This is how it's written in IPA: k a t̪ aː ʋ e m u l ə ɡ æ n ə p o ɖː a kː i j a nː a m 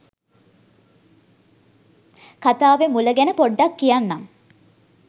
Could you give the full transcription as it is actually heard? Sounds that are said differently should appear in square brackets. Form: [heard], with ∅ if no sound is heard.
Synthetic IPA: k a t̪ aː ʋ e m u l ə ɡ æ n ə p o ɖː a kː i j a nː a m